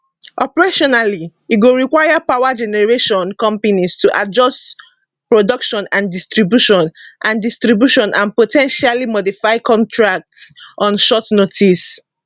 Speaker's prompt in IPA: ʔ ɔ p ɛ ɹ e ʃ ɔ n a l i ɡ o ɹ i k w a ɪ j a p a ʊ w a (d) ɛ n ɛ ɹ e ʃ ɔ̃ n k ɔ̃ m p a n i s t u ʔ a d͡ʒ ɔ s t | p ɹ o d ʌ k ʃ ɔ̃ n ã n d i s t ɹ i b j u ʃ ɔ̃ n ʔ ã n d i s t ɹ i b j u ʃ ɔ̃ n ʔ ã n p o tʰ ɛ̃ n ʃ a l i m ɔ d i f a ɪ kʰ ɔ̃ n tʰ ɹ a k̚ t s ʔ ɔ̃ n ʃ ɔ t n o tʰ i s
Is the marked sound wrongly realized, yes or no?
yes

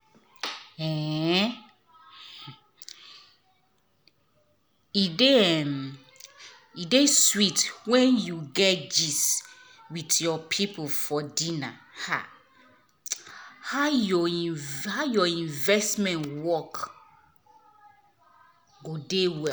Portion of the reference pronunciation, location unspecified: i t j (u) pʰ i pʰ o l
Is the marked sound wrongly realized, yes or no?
yes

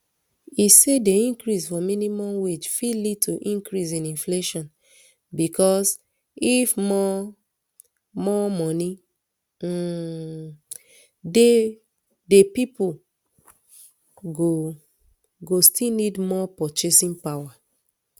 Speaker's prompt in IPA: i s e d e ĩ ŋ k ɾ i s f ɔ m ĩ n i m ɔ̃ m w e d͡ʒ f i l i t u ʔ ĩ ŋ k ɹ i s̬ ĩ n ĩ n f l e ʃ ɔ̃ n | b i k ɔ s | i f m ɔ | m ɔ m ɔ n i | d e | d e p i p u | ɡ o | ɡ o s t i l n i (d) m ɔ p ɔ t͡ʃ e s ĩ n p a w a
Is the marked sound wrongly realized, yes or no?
no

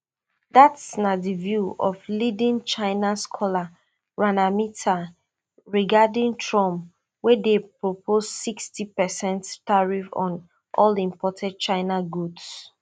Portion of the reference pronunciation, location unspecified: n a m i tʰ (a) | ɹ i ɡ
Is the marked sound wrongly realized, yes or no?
no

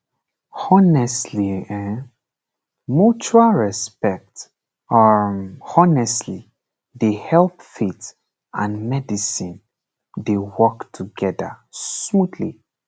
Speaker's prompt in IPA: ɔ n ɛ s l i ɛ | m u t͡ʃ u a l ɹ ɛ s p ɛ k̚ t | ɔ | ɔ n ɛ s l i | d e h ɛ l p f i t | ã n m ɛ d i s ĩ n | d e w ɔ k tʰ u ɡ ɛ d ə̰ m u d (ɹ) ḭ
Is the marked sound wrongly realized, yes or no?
yes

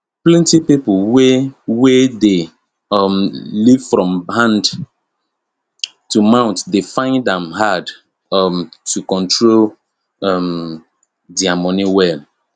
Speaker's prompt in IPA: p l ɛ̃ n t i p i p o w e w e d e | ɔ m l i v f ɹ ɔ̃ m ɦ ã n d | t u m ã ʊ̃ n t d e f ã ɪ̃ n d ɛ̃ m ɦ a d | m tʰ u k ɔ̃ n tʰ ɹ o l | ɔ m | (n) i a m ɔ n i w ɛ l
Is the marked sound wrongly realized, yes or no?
yes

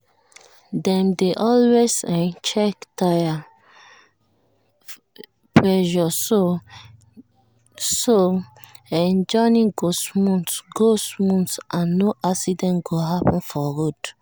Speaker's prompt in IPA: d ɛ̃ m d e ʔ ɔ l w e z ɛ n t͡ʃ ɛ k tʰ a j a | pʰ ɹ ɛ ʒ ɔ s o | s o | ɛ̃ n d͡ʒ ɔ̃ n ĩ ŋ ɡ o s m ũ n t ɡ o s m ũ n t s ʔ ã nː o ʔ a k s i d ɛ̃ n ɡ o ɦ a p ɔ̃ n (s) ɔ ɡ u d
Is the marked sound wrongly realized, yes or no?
yes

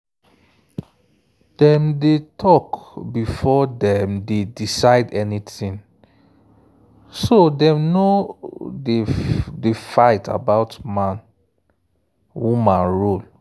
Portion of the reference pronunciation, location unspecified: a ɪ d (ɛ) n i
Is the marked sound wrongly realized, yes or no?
no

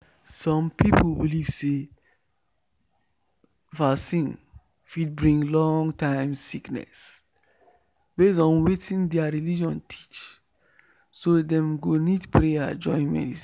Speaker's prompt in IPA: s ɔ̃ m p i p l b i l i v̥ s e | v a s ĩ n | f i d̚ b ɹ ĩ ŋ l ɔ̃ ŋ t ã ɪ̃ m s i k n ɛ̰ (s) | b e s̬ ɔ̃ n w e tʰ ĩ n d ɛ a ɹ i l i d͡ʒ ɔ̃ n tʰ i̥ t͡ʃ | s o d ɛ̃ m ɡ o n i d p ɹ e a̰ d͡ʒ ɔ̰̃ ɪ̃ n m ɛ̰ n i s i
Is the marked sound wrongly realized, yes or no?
no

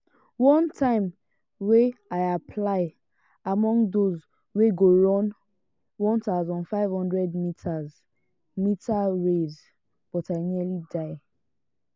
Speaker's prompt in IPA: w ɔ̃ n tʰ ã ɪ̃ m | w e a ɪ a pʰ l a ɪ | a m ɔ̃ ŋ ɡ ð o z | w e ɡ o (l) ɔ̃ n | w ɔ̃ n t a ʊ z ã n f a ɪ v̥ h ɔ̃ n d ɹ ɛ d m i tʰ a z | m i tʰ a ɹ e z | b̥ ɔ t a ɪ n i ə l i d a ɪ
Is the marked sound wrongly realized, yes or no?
yes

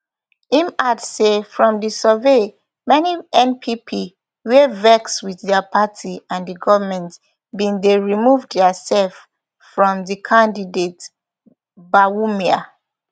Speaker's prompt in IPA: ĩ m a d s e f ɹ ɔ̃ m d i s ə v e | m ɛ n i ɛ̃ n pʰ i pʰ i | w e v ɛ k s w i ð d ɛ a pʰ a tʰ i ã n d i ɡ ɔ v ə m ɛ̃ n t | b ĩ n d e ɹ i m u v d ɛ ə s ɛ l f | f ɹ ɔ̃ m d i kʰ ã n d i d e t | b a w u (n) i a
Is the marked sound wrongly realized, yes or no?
yes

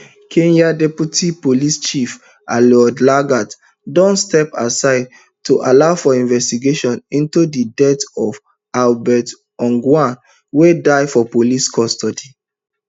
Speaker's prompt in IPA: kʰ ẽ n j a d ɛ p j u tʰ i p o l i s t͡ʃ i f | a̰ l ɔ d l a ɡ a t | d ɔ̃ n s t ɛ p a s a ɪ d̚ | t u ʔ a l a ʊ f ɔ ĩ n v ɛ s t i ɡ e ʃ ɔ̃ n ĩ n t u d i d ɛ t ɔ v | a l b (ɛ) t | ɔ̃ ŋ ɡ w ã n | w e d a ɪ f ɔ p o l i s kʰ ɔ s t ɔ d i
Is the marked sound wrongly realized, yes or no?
no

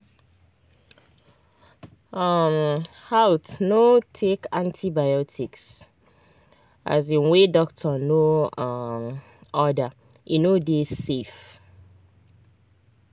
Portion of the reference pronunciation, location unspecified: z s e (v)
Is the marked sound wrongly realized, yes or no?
yes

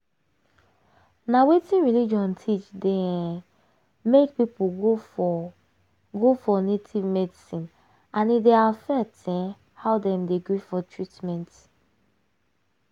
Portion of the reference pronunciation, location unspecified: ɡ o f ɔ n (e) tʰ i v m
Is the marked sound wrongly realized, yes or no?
no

